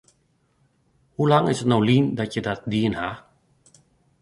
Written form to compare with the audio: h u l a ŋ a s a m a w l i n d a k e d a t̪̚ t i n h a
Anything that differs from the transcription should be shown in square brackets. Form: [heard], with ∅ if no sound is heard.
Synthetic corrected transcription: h u l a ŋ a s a [n] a w l i n d a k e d a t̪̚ [d] i n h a